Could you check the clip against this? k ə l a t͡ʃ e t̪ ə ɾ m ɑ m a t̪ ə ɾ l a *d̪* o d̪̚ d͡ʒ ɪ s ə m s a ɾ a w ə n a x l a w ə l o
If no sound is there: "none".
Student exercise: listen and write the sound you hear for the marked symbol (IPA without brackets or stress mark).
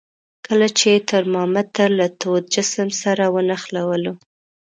t̪